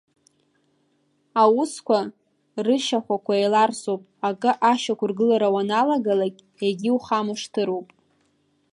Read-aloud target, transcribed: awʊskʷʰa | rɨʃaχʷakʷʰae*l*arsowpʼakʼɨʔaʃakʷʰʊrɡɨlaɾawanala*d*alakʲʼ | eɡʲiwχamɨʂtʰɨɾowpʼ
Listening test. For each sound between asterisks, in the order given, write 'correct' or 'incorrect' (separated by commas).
correct, incorrect